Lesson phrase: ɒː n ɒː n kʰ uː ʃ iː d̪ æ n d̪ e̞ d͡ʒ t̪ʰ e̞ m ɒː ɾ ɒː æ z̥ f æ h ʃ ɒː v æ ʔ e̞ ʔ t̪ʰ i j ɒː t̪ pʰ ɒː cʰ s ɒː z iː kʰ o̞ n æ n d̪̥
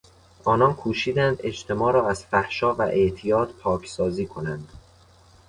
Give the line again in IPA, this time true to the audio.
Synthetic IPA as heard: ɒː n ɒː n kʰ uː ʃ iː d̪ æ n d̪ e̞ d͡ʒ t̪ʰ e̞ m ɒː ɾ ɒː æ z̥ f æ h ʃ ɒː v æ ʔ e̞ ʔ t̪ʰ i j ɒː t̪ pʰ ɒː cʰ s ɒː z iː kʰ o̞ n æ n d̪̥

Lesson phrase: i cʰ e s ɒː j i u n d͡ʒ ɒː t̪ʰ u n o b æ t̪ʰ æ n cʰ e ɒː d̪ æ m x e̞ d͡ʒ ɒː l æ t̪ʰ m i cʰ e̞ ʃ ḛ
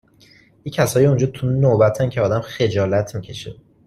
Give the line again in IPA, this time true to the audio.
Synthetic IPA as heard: i cʰ æ s ɒː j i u n d͡ʒ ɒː t̪ʰ u n o b æ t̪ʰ æ n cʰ e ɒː d̪ æ m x e̞ d͡ʒ ɒː l æ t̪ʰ m i cʰ e̞ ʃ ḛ

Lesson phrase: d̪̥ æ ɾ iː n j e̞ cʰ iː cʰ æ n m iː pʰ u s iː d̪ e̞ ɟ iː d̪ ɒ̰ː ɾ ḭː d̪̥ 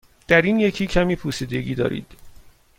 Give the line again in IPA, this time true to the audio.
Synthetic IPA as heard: d̪̥ æ ɾ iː n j e̞ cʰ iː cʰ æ m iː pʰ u s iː d̪ e̞ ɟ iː d̪ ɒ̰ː ɾ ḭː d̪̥

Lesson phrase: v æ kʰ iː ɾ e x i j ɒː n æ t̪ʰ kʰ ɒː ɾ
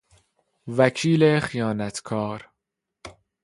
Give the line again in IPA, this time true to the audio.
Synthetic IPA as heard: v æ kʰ iː l e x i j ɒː n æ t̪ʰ kʰ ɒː ɾ

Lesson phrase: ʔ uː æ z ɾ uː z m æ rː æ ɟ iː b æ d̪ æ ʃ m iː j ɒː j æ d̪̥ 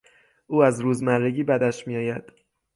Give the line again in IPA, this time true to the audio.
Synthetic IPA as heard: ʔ uː æ z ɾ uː z m æ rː e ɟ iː b æ d̪ æ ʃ m i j ɒː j æ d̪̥

